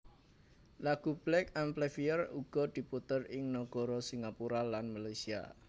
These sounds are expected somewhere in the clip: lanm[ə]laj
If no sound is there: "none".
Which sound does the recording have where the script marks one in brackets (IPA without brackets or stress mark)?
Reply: a